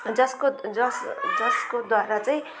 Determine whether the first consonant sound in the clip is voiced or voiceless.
voiced